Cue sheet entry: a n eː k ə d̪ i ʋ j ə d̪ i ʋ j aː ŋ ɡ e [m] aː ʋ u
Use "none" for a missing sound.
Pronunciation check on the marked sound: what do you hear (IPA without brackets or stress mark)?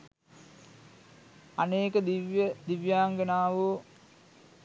n